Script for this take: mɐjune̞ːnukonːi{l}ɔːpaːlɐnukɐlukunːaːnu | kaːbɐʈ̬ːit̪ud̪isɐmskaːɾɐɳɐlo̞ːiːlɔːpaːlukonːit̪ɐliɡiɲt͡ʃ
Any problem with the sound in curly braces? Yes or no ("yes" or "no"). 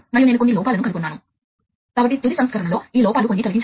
no